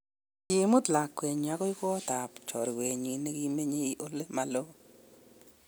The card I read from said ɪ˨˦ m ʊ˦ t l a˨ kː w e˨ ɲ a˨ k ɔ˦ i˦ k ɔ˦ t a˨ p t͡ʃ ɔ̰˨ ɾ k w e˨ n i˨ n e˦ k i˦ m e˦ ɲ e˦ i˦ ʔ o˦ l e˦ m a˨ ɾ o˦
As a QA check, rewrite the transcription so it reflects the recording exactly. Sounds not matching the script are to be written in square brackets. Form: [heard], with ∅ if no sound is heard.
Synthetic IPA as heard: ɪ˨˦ m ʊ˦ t l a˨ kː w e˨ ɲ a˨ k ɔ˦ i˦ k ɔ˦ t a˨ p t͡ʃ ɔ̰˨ ɾ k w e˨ [ɲ] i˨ n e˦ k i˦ m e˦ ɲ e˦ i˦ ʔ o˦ l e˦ m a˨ [l] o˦